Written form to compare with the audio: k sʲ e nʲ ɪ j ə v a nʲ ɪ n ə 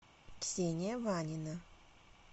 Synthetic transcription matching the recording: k sʲ e nʲ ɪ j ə v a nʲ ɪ n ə